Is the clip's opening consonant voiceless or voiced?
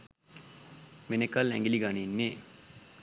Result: voiced